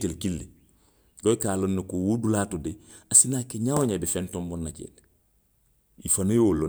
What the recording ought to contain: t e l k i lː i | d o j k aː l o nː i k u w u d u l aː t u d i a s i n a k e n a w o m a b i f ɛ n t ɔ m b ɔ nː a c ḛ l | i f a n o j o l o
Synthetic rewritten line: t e l k i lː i | ɡ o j k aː l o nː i k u w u d u l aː t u d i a s i n a k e ɲ a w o ɲ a b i f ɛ n t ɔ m b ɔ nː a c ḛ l | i f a n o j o l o